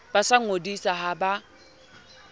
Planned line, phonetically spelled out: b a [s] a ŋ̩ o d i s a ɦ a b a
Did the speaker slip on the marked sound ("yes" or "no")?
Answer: no